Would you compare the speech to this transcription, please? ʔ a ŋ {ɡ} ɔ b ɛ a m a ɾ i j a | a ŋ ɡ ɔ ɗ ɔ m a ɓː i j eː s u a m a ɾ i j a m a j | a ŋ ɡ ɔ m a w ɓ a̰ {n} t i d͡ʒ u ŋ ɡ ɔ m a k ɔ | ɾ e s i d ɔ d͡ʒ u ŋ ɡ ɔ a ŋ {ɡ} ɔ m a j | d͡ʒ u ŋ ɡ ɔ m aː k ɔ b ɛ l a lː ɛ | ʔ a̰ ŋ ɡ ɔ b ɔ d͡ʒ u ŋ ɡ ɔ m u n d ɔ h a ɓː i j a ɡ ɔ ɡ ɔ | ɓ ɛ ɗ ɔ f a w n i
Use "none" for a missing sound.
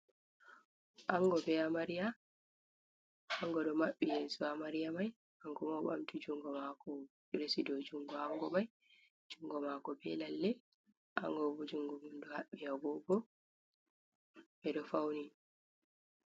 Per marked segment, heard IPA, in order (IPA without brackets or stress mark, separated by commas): ɡ, m, ɡ